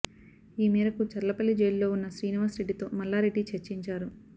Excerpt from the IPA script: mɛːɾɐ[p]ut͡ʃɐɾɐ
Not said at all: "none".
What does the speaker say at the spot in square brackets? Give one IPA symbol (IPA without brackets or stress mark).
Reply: k